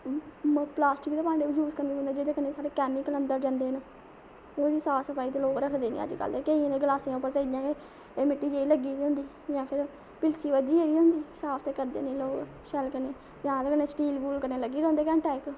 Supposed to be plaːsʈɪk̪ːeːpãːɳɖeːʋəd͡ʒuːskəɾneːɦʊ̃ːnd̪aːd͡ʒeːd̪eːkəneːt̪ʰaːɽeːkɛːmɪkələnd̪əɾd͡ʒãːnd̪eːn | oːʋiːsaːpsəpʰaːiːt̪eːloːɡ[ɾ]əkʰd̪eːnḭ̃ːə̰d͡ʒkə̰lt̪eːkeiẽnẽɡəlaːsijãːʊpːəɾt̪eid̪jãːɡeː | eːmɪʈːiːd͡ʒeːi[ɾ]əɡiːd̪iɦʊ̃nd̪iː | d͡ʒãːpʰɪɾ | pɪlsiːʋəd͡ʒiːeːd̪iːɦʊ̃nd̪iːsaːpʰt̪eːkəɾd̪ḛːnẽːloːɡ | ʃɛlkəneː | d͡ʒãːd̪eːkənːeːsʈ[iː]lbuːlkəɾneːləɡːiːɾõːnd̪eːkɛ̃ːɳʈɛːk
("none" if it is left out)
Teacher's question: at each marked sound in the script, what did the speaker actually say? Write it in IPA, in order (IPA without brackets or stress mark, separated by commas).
ɾ, l, iː